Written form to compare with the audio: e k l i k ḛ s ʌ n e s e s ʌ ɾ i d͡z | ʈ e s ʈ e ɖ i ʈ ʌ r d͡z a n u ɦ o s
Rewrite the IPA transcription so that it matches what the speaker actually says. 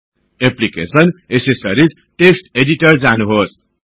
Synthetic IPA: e p l i k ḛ s ʌ n e s e s ʌ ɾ i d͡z | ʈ e s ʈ e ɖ i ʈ ʌ r d͡z a n u ɦ o s